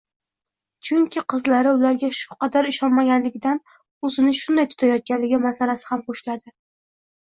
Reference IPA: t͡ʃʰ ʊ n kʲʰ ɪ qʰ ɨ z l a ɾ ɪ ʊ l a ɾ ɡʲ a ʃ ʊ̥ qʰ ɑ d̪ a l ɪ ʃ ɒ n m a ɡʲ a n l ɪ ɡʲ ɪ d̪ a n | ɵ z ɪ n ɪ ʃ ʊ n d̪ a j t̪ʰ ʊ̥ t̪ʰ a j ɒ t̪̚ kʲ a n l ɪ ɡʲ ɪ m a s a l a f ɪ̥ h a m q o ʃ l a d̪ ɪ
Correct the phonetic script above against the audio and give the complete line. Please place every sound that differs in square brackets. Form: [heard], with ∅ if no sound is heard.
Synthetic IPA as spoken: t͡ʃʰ ʊ [ŋ] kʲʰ ɪ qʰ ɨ z l a ɾ ɪ ʊ l a ɾ ɡʲ a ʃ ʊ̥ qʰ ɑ d̪ a [ɾ] ɪ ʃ ɒ n m a ɡʲ a n l ɪ ɡʲ ɪ d̪ a n | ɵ z ɪ n ɪ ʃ ʊ n d̪ a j t̪ʰ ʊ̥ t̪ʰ a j ɒ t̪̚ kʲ a n l ɪ ɡʲ ɪ m a s a l a [s] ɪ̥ h a m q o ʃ l a d̪ ɪ